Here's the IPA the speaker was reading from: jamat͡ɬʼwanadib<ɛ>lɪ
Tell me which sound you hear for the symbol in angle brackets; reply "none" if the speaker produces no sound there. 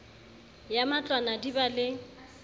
a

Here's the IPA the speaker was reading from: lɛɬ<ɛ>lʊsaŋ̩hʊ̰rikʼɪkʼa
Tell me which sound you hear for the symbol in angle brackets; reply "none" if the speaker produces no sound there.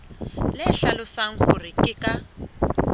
a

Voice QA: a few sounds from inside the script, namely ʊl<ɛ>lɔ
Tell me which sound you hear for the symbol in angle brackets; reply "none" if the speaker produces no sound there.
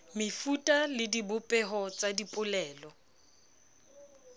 ɛː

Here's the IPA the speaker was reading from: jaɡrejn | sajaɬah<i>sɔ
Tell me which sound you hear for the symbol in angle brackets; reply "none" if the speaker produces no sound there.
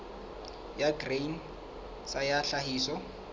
iː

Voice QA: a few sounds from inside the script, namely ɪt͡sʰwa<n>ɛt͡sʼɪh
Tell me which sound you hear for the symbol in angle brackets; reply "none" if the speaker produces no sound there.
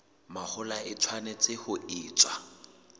n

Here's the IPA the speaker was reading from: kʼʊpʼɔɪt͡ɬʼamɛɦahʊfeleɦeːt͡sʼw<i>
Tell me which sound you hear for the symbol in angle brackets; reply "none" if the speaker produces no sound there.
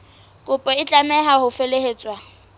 a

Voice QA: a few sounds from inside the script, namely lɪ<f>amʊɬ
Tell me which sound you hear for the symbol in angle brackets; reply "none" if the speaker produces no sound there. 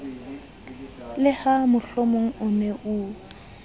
h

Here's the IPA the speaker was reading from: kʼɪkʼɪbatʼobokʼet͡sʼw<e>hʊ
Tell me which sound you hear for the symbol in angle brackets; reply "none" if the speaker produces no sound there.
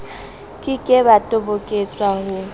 a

